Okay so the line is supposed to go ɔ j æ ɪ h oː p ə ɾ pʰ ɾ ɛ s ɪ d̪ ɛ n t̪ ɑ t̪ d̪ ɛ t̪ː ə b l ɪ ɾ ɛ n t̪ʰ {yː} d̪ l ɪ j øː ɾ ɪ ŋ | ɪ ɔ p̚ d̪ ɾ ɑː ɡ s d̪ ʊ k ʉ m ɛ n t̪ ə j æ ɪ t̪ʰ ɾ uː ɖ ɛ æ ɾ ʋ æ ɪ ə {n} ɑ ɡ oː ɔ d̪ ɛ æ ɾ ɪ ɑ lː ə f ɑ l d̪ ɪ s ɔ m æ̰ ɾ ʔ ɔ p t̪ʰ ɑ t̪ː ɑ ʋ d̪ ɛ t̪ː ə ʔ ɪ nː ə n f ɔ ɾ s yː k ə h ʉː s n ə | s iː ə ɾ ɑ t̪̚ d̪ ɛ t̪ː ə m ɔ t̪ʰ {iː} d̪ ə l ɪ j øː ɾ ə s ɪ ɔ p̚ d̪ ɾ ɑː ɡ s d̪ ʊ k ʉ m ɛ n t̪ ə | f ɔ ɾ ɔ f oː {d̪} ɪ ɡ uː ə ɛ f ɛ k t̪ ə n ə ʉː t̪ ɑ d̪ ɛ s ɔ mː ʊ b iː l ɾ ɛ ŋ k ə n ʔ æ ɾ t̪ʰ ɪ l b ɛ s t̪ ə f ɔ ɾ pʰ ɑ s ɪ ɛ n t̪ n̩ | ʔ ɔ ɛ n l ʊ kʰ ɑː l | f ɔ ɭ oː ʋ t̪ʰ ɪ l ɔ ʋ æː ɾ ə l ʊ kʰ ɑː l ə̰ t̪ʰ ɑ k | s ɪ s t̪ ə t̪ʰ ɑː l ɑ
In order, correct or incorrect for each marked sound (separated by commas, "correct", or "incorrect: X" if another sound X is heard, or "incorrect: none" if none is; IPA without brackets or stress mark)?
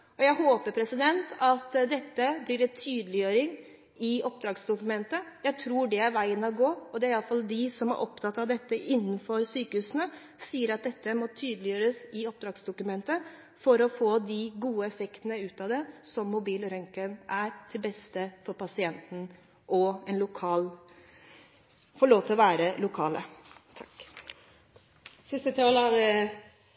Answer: correct, correct, incorrect: yː, correct